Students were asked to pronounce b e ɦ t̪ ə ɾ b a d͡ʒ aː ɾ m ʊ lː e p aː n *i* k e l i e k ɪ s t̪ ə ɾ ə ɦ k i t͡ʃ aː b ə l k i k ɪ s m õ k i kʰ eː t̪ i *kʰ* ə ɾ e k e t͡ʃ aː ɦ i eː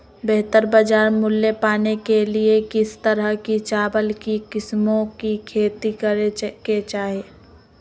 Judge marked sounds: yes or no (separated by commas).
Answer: no, no